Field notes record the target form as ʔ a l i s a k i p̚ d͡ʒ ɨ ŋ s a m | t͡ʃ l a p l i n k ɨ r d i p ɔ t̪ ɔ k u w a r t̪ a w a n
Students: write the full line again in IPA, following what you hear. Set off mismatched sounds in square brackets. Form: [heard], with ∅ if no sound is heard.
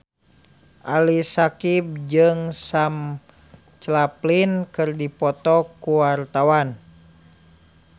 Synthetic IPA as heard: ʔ a l i s a k i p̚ d͡ʒ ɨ ŋ s a m | t͡ʃ l a p l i n k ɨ r d i p ɔ t̪ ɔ k u w a r t̪ a w a n